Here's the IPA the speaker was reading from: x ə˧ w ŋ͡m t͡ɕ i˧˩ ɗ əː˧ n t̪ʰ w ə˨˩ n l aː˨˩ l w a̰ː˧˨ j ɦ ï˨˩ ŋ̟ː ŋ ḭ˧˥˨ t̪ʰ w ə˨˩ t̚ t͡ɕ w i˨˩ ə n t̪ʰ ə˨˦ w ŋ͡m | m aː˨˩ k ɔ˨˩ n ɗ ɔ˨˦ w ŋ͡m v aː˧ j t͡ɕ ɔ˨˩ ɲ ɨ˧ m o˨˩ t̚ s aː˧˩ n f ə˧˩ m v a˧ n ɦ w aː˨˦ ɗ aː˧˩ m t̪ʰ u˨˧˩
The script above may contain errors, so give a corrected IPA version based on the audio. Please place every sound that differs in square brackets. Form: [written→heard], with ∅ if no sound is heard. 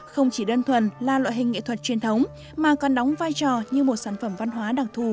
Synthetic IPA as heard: x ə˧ w ŋ͡m t͡ɕ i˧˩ ɗ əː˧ n t̪ʰ w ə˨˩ n l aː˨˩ l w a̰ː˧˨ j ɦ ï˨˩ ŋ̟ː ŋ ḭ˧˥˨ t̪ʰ w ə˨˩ t̚ t͡ɕ w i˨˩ ə n t̪ʰ ə˨˦ w ŋ͡m | m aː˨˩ k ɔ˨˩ n ɗ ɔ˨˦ w ŋ͡m v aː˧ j t͡ɕ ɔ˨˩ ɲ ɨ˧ m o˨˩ t̚ s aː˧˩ n f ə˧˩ m v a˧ n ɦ w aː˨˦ ɗ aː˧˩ [m→ŋ] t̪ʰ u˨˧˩